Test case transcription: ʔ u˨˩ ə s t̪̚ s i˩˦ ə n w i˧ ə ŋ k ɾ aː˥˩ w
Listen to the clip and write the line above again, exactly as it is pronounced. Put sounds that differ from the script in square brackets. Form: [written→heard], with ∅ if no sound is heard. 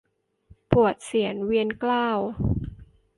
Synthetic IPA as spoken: [ʔ→p] u˨˩ ə [s→∅] t̪̚ s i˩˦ ə n w i˧ ə [ŋ→n] k [ɾ→l] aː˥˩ w